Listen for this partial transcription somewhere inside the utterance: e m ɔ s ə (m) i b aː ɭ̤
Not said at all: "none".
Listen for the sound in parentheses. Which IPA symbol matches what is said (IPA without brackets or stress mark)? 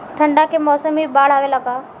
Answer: m